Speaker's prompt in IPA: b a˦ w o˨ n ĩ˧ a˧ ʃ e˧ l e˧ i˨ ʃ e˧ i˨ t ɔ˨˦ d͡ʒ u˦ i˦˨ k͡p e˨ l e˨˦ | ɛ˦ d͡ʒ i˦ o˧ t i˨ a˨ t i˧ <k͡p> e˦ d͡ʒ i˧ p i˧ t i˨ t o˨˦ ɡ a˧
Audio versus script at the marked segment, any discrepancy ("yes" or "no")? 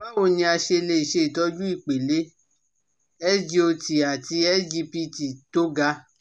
yes